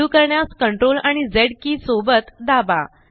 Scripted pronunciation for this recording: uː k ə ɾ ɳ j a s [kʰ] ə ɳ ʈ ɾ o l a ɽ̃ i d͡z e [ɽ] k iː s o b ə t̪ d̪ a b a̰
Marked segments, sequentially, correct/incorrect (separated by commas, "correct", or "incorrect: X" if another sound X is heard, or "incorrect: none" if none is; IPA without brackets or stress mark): incorrect: k, correct